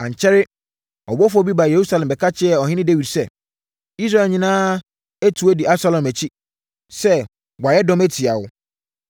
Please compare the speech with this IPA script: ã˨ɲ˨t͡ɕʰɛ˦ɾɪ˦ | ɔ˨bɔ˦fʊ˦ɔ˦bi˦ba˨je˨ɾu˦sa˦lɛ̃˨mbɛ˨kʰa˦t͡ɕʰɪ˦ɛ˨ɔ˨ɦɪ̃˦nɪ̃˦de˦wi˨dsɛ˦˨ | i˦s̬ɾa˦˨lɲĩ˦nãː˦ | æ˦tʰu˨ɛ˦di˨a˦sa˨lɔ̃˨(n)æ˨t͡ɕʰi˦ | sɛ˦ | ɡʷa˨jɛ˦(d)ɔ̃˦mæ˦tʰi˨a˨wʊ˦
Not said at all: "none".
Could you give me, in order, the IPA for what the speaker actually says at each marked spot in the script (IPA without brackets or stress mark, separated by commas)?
m, d